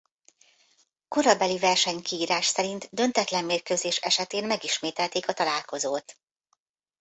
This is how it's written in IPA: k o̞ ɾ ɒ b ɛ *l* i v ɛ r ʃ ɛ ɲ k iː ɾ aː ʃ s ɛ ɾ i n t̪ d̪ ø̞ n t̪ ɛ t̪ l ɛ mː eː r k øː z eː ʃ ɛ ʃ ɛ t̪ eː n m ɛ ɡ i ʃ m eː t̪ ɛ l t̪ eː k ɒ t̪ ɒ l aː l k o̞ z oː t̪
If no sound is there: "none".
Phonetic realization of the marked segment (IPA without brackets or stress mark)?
l